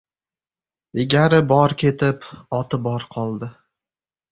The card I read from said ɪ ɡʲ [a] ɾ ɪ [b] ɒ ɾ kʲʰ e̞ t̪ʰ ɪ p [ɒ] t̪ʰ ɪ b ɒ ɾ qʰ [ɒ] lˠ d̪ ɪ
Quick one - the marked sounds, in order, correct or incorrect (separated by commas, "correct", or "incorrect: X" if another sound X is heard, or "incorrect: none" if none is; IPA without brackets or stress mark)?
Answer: correct, correct, correct, correct